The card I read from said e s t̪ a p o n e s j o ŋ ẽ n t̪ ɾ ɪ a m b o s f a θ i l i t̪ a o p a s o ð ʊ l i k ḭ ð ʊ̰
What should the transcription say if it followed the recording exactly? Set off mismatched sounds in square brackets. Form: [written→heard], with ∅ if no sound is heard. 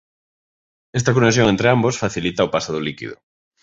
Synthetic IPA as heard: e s t̪ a [p→k] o n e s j o ŋ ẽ n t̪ ɾ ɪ a m b o s f a θ i l i t̪ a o p a s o ð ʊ l i k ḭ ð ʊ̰